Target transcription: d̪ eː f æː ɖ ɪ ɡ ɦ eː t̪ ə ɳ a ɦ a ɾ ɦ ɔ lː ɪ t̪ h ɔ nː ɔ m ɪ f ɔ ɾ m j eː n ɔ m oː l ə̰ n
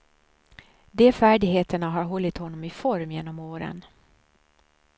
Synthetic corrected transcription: d̪ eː f æː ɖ ɪ ɡ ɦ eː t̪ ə ɳ a ɦ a ɾ ɦ ɔ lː ɪ t̪ h ɔ nː ɔ m ɪ f ɔ ɾ m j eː n ɔ m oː ɾ ə̰ n